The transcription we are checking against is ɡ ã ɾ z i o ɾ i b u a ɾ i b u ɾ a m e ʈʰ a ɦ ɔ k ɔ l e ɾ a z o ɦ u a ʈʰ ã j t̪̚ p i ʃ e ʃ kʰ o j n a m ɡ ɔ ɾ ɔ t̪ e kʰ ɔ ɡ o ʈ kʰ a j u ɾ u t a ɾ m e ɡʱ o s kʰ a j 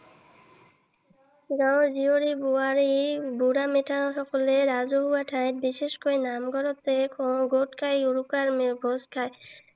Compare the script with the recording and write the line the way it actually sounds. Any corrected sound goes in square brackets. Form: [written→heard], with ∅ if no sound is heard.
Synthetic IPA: ɡ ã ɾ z i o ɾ i b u a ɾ i b u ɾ a m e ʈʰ a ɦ ɔ k ɔ l e ɾ a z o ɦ u a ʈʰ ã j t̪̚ [p→b] i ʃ e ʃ [kʰ→k] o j n a m ɡ ɔ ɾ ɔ t̪ e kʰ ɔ ɡ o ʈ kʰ a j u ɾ u [t→k] a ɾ m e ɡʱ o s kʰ a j